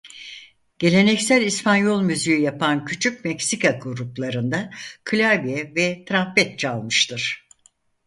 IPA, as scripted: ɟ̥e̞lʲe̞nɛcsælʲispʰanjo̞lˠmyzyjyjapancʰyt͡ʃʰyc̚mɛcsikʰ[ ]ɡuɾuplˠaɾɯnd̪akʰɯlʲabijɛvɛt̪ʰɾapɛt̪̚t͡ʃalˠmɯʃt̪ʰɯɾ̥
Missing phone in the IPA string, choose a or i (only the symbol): a